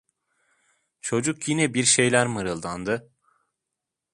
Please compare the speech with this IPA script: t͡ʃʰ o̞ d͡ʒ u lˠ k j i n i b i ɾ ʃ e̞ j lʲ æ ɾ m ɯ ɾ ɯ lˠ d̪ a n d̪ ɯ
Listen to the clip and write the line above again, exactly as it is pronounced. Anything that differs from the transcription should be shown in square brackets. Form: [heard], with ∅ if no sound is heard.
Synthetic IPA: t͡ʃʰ o̞ d͡ʒ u [∅] k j i n [ɛ] b i ɾ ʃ e̞ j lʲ æ ɾ m ɯ ɾ ɯ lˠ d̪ a n d̪ ɯ